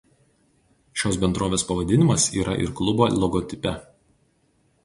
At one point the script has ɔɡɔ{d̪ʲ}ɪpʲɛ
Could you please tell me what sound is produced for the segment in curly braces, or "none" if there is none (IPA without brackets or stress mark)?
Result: t̪ʲ